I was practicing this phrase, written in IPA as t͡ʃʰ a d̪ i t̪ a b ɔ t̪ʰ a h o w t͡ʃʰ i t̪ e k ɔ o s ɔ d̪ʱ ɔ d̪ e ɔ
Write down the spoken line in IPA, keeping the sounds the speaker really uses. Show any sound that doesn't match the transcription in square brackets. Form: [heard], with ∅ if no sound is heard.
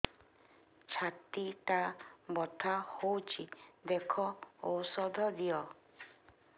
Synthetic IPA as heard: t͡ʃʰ a [t̪] i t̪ a b ɔ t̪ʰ a h o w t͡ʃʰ i [d̪] e [kʰ] ɔ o s ɔ d̪ʱ ɔ d̪ [i] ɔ